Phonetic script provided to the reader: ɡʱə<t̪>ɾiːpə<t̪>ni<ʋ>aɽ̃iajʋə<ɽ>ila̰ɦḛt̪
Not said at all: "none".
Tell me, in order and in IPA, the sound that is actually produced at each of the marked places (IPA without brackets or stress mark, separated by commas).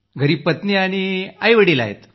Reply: none, t̪, none, ɽ